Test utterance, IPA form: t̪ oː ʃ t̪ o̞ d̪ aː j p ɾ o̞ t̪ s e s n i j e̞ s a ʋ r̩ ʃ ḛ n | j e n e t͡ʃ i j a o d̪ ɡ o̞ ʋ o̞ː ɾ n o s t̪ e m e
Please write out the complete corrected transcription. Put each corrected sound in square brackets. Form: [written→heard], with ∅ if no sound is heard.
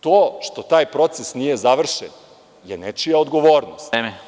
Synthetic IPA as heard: t̪ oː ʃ t̪ o̞ [d̪→t̪] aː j p ɾ o̞ t̪ s e s n i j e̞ [s→z] a ʋ r̩ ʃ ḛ n | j e n e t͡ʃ i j a o d̪ ɡ o̞ ʋ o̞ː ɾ n o s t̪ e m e